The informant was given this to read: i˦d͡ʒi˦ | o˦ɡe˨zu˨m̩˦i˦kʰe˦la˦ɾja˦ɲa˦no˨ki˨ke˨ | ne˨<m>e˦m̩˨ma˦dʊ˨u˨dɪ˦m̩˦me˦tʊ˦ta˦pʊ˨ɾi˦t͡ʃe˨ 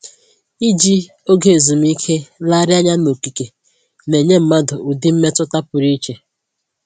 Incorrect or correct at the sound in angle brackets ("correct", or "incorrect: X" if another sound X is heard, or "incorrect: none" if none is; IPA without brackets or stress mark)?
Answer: incorrect: ɲ